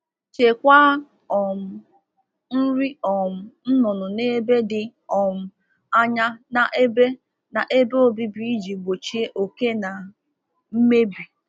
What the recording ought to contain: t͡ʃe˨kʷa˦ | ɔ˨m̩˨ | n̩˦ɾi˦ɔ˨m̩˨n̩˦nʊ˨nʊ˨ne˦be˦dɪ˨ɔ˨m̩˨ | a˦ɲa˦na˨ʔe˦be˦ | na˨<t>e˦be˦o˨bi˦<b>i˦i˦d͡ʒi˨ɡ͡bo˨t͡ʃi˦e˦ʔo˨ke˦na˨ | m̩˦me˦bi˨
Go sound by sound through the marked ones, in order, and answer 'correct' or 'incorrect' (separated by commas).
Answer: incorrect, correct